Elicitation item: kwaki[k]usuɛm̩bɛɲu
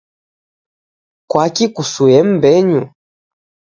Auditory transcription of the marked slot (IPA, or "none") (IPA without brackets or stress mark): k